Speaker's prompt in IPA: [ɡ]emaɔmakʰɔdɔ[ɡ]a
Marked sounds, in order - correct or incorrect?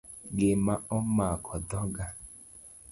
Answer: correct, correct

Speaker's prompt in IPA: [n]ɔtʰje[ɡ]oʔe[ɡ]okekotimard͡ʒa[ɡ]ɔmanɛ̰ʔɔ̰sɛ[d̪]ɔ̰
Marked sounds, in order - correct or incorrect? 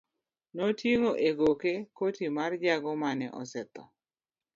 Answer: correct, incorrect, correct, correct, incorrect

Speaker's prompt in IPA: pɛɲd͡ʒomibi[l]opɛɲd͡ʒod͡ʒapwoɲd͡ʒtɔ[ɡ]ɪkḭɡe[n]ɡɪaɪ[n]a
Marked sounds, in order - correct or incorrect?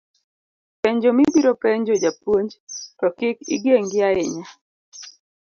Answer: incorrect, incorrect, incorrect, incorrect

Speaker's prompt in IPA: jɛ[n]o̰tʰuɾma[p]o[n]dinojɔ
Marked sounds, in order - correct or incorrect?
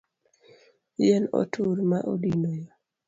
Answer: correct, incorrect, incorrect

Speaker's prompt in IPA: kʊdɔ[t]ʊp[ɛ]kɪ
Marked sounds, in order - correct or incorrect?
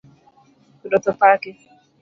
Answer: correct, incorrect

